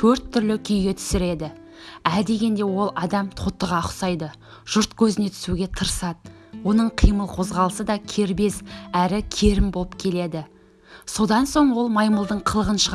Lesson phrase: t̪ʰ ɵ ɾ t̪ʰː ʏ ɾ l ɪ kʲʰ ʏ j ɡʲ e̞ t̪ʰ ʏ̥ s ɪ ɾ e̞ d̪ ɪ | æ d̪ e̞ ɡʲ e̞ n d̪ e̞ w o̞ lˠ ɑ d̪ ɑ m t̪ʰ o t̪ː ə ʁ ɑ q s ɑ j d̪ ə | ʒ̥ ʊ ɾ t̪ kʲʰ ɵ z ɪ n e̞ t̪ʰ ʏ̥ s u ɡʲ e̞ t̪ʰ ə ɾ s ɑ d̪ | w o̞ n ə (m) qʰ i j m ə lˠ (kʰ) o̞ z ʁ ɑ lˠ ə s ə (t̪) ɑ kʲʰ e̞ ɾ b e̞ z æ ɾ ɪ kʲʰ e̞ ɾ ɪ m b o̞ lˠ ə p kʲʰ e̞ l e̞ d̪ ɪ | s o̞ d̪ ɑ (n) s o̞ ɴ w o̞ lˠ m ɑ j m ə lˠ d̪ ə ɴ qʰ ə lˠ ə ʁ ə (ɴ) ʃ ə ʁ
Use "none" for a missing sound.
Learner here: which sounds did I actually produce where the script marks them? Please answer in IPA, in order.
ɴ, qʰ, d̪, n, n

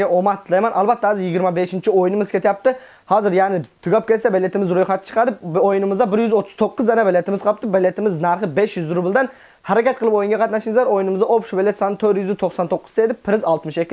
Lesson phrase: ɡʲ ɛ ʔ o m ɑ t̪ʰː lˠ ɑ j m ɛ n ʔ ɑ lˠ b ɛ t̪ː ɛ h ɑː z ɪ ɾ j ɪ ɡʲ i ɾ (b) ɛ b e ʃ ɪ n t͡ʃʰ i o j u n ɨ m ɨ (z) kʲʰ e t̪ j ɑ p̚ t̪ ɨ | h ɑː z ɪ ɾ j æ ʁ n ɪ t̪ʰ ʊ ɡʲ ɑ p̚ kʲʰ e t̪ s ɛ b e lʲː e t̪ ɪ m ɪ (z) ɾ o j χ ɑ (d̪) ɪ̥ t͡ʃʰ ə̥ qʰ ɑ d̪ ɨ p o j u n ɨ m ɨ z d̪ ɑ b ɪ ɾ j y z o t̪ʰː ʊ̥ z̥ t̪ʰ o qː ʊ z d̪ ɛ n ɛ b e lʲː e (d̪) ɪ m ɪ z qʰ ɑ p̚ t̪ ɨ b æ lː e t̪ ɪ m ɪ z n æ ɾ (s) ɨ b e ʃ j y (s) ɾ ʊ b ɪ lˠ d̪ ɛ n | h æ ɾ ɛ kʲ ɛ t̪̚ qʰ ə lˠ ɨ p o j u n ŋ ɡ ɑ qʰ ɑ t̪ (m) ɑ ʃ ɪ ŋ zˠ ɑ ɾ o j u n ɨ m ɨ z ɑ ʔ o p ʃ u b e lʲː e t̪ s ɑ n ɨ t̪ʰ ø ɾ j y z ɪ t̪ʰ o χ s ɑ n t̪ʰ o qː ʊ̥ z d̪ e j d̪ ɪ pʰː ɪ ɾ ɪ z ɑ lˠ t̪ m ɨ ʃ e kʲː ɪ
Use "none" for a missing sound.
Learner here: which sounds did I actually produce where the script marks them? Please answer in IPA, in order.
m, z, z, t̪, t̪, χ, z, n

